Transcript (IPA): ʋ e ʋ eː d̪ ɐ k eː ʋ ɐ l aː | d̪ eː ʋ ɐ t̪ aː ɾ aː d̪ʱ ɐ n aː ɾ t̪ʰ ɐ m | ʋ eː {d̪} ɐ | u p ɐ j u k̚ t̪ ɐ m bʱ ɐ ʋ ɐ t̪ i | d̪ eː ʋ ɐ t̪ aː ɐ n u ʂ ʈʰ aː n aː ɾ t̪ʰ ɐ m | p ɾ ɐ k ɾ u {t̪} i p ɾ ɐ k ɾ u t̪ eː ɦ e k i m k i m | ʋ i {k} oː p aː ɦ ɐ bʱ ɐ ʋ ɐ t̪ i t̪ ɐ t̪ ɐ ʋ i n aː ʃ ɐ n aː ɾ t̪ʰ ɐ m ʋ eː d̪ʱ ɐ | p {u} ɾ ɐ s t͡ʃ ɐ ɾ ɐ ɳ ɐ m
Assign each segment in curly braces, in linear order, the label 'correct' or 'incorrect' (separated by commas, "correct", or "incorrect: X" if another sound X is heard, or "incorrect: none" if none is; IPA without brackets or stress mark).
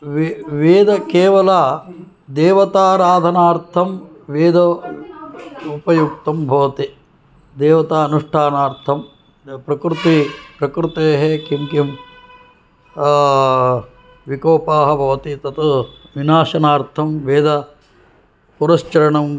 correct, correct, correct, correct